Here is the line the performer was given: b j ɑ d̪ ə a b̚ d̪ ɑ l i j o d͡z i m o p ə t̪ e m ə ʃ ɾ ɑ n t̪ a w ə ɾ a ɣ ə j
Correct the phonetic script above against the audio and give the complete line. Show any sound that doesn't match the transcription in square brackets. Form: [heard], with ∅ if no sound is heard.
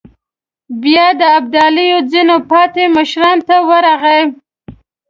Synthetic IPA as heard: b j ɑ d̪ ə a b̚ d̪ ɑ l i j o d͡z i [n] o p [ɑ] t̪ e m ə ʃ ɾ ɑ n t̪ a w ə ɾ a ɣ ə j